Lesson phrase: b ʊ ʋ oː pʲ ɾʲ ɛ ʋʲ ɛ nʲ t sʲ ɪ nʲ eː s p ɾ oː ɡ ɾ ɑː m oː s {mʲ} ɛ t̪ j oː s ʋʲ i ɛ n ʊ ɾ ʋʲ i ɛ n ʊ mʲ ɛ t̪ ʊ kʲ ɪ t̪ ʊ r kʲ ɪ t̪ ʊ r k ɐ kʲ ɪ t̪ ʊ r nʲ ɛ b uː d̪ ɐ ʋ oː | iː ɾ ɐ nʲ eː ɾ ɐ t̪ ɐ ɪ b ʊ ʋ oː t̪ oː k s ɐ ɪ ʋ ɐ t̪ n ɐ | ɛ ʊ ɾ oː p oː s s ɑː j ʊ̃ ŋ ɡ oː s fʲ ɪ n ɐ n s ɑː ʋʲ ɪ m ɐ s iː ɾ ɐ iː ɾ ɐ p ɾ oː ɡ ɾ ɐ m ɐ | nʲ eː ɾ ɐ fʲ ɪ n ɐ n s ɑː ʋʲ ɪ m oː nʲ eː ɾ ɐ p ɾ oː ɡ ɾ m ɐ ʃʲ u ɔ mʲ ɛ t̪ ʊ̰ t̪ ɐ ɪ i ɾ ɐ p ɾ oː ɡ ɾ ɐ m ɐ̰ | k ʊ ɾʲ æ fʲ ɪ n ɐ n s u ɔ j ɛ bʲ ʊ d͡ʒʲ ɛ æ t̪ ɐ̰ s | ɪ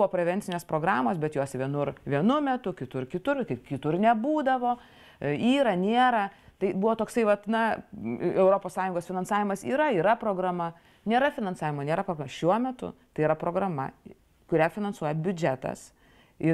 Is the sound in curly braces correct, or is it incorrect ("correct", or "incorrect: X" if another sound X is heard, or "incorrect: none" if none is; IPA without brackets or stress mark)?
incorrect: bʲ